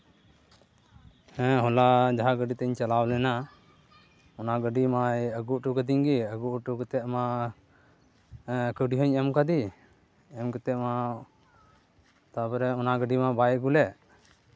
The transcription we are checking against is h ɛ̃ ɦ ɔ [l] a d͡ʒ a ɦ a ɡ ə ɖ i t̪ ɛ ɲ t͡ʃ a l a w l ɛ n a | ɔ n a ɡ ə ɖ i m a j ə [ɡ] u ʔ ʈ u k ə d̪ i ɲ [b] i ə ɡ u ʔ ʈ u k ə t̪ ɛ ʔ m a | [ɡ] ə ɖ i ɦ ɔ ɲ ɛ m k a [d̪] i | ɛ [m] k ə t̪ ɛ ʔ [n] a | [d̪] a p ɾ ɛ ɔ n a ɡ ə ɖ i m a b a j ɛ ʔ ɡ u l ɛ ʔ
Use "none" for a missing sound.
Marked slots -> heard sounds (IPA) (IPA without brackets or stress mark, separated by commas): l, ɡ, ɡ, k, d̪, m, m, t̪